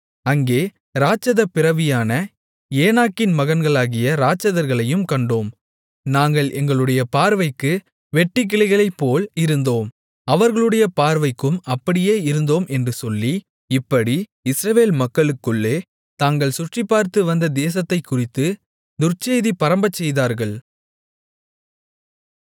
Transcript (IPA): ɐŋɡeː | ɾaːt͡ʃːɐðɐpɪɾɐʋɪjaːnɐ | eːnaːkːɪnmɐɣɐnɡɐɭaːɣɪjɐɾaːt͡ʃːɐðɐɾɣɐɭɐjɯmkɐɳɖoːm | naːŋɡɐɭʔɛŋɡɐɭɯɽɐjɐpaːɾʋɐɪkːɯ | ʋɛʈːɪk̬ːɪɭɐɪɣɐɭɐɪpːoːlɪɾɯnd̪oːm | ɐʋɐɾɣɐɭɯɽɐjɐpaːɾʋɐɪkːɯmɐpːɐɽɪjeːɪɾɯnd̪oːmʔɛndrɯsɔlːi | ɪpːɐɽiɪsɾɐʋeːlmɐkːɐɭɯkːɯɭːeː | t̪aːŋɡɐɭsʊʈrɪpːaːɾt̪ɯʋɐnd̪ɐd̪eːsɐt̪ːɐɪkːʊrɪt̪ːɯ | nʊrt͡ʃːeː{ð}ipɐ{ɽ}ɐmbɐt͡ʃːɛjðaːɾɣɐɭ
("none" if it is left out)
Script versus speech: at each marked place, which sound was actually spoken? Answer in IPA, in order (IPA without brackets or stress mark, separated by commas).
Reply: ð, ɾ